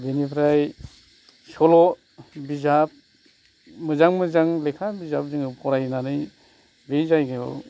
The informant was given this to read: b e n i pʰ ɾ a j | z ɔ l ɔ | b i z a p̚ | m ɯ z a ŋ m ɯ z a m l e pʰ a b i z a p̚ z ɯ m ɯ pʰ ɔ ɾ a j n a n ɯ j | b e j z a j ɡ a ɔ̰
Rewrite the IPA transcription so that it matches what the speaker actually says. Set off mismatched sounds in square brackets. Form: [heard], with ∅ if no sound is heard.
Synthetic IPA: b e n i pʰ ɾ a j | [s] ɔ l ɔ | b i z a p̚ | m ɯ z a ŋ m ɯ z a [ŋ] l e [kʰ] a b i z a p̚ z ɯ [ŋ] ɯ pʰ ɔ ɾ a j n a n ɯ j | b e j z a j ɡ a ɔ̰